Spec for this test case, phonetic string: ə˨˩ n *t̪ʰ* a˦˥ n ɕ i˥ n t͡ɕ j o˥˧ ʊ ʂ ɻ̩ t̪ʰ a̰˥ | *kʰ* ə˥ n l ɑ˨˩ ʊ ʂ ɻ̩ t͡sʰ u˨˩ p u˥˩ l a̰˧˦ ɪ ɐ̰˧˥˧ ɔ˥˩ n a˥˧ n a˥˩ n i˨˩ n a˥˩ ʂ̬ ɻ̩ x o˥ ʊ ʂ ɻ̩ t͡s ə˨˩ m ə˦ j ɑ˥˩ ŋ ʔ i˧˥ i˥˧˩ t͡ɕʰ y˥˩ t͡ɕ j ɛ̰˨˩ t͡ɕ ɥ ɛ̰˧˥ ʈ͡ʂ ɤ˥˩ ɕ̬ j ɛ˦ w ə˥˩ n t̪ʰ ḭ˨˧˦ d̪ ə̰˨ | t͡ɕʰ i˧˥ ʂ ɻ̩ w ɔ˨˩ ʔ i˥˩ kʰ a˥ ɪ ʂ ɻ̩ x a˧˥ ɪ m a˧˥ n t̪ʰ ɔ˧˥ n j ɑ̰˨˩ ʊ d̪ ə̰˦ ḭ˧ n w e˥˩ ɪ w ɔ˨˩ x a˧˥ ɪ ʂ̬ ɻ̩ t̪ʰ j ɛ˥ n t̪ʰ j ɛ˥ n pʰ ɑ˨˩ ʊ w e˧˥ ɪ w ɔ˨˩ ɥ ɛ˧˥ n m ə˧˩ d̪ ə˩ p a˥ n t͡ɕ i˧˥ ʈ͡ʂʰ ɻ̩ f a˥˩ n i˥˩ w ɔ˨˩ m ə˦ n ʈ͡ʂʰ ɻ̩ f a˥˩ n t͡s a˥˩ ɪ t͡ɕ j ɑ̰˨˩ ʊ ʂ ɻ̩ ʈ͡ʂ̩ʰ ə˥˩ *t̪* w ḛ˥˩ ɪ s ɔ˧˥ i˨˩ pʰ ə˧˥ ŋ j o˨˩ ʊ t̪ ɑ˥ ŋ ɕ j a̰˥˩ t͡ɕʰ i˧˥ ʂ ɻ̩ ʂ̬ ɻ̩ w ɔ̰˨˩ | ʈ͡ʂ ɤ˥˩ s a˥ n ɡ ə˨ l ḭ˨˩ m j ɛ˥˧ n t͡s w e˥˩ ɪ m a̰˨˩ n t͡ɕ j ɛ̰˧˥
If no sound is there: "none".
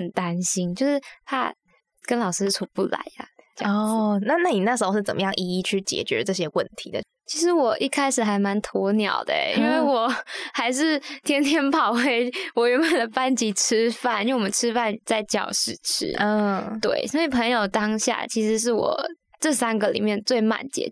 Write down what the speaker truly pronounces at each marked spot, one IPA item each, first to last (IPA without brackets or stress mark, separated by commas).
t̪, k, t̪